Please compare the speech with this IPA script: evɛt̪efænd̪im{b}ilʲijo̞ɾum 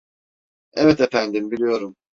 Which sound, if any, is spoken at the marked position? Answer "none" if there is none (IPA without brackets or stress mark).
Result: b